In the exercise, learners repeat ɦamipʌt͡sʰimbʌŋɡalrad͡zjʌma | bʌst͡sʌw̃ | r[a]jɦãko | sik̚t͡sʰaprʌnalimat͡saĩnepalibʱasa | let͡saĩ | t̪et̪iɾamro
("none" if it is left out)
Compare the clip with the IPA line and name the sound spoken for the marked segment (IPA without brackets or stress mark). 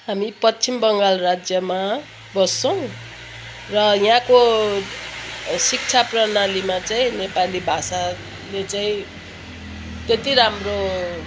ʌ